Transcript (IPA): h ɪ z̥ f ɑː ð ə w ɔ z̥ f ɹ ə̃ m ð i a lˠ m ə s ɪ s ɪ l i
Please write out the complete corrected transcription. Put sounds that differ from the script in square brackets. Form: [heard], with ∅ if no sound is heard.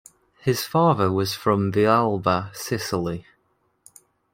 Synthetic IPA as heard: h ɪ z̥ f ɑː ð ə w [ɒ] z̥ f ɹ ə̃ m ð i a lˠ [b] ə s ɪ s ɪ l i